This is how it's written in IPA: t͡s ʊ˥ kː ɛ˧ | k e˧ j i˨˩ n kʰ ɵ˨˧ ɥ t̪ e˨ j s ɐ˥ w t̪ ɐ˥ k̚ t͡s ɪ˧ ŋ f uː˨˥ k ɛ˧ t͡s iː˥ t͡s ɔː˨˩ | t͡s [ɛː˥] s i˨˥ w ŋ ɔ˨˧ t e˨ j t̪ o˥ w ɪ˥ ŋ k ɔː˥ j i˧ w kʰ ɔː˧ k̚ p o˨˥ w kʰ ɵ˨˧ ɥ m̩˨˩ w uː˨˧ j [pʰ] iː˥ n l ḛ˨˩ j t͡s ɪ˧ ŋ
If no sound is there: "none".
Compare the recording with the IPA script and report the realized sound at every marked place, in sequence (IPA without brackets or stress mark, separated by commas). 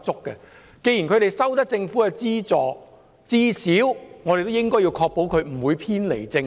iː˥, pʰ